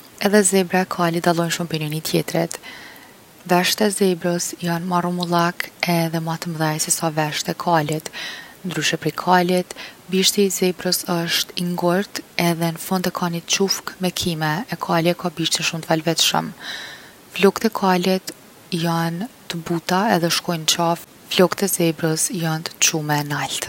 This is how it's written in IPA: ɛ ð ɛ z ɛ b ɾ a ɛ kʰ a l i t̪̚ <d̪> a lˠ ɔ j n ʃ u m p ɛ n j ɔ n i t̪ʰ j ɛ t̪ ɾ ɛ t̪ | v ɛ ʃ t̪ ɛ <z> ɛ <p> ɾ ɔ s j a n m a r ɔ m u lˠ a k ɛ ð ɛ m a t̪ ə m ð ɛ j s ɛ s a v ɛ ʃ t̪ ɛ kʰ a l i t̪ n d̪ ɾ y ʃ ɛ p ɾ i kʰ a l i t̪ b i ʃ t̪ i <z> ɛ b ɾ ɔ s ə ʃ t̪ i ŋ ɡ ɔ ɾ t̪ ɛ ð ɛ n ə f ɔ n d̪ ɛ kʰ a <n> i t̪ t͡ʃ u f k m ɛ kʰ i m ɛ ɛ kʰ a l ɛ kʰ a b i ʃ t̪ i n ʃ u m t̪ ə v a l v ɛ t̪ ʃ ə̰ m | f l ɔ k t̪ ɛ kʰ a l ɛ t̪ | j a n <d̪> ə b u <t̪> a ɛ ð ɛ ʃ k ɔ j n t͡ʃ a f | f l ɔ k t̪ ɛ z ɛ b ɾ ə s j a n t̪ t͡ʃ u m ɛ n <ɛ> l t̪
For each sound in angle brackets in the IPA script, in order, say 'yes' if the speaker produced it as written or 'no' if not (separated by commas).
yes, yes, no, yes, yes, no, yes, no